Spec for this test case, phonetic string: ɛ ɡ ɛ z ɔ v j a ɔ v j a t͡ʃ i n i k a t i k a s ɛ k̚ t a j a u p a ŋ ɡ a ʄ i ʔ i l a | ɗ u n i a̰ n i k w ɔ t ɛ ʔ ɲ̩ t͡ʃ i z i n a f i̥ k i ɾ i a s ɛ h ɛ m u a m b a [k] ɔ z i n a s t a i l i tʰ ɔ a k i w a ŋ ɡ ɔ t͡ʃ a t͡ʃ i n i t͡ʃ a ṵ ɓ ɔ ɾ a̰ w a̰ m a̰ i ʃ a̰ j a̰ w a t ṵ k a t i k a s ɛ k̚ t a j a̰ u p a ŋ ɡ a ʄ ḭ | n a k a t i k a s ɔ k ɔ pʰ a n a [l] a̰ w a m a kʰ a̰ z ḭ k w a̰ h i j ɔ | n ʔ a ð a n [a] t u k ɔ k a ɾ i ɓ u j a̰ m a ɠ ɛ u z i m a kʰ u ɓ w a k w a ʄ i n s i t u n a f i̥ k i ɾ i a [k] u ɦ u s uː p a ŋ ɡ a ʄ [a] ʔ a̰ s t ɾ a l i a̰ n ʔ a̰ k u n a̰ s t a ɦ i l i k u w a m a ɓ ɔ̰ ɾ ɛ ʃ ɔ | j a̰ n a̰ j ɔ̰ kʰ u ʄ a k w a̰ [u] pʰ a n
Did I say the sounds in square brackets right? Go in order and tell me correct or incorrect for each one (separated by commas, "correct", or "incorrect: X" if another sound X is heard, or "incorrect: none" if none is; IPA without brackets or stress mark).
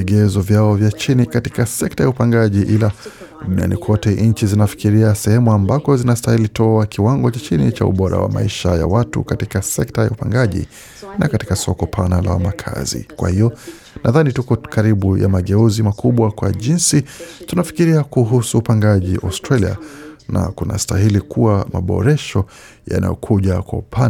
correct, correct, incorrect: i, correct, incorrect: i, correct